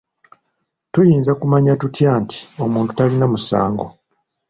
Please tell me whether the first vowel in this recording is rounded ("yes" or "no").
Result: yes